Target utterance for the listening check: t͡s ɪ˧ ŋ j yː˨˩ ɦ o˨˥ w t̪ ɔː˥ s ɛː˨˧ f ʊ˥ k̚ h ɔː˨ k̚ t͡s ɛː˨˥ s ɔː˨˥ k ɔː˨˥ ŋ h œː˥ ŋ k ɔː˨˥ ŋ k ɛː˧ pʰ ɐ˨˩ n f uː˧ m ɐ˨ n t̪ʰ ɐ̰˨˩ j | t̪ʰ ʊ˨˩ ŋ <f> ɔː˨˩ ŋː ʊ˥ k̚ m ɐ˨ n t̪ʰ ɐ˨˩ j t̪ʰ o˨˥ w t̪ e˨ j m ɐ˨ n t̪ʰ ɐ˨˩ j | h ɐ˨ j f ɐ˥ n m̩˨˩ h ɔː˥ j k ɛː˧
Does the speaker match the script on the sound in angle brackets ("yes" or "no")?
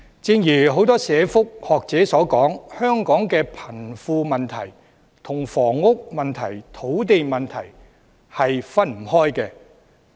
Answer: yes